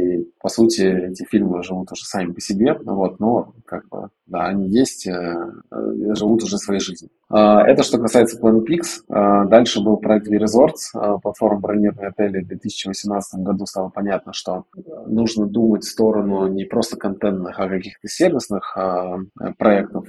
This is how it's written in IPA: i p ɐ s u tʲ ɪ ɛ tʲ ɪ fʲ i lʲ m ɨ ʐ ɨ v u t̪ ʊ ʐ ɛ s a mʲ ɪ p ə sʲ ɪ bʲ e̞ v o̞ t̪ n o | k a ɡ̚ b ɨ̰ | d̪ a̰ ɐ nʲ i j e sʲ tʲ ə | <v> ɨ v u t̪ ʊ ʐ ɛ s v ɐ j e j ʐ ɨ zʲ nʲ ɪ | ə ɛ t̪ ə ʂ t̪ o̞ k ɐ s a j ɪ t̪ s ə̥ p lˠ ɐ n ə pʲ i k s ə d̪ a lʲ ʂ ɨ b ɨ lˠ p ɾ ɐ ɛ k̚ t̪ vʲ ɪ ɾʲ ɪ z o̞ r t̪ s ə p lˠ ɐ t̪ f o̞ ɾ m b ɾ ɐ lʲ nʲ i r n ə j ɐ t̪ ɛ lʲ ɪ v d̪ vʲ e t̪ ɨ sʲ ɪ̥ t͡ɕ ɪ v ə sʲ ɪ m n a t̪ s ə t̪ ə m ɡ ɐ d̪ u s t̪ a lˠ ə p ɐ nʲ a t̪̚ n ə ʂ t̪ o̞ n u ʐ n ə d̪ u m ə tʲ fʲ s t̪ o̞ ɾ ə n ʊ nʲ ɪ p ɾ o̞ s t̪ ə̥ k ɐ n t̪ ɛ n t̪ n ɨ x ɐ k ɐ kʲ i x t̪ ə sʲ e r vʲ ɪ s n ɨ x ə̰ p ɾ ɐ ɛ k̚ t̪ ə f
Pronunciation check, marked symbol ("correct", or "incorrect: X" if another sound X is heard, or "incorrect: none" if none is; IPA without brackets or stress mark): incorrect: ʐ